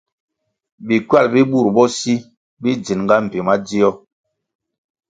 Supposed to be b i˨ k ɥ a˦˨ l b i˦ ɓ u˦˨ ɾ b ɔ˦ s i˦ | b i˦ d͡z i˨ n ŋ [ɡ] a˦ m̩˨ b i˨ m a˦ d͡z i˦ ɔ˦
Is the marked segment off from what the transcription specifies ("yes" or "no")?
no